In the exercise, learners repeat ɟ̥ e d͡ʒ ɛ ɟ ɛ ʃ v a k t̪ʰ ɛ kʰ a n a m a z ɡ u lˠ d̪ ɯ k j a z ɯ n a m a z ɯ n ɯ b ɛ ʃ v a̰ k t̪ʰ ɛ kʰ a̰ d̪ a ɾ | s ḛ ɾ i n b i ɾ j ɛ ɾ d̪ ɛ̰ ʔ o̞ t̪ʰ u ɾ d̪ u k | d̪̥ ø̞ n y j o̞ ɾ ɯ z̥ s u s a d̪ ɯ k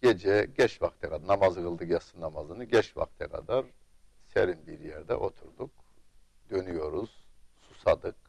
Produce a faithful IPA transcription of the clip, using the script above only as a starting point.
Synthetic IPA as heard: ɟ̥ e d͡ʒ ɛ ɟ ɛ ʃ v a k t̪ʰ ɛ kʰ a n a m a z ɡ ɯ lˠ d̪ ɯ k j a s ɯ n a m a z ɯ n ɯ ɟ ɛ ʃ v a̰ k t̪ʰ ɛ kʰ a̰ d̪ a ɾ | s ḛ ɾ i n b i ɾ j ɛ ɾ d̪ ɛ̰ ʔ o̞ t̪ʰ u ɾ d̪ u k | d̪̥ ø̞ n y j o̞ ɾ u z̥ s u s a d̪ ɯ k